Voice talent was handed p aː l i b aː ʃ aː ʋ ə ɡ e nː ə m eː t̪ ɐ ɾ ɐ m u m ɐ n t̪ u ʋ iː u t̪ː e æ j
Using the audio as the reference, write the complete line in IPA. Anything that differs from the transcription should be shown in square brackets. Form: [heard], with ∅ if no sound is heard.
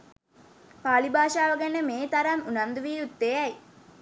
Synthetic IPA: p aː l i b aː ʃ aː ʋ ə ɡ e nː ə m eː t̪ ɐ ɾ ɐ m u [n] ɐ n [d̪] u ʋ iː u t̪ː e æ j